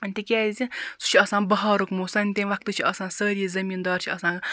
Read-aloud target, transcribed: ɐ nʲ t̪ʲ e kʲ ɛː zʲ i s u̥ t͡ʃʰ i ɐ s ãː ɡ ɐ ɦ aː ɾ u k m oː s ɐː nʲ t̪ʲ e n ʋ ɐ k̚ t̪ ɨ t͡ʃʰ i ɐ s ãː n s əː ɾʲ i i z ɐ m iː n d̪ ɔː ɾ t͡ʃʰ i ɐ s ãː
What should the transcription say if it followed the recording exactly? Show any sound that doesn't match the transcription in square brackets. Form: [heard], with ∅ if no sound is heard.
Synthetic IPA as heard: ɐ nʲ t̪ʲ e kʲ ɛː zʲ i s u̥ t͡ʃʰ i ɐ s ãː [b] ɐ ɦ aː ɾ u k m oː s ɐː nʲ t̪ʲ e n ʋ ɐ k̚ t̪ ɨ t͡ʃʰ i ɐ s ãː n s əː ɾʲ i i z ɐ m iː n d̪ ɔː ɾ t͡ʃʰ i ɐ s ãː

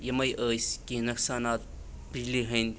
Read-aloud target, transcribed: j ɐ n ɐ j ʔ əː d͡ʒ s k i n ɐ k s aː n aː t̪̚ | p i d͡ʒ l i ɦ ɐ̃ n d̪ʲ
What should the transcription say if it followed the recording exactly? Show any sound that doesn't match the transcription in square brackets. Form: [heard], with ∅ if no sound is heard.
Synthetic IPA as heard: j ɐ [m] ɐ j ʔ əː [∅] s k i n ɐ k s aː n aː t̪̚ | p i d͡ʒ l i ɦ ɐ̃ n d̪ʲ

